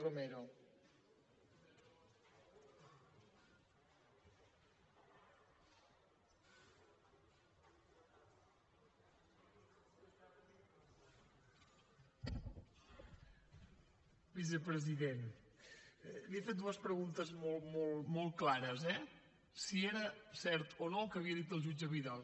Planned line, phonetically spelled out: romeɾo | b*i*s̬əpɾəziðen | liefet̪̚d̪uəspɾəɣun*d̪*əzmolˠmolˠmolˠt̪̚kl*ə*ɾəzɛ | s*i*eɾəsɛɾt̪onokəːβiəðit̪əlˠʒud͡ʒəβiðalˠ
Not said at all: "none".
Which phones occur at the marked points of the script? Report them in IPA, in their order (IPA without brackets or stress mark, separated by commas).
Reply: i, t̪, a, i